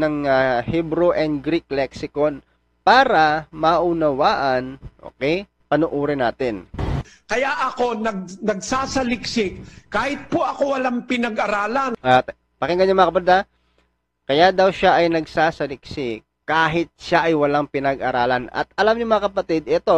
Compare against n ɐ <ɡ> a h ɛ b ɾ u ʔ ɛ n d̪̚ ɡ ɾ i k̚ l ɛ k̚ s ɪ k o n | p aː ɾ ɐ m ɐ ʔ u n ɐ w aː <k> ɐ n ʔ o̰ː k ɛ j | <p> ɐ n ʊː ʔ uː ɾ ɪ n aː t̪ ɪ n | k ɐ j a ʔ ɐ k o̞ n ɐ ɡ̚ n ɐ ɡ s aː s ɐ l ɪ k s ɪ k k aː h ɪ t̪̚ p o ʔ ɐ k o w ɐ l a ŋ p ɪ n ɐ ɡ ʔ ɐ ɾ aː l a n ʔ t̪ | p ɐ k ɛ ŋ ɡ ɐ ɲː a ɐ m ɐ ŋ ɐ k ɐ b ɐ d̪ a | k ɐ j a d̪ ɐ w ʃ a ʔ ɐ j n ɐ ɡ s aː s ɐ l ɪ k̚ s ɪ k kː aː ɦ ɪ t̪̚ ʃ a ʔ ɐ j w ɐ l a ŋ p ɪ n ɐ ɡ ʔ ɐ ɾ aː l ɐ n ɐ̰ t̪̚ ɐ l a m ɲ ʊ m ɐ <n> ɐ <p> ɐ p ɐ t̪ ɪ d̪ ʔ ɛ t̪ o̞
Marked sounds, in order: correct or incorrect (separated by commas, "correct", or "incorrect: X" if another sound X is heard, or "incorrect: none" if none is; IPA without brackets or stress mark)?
incorrect: ŋ, incorrect: ʔ, correct, incorrect: ŋ, incorrect: k